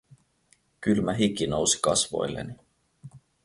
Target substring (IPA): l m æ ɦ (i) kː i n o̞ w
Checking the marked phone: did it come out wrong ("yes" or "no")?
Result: no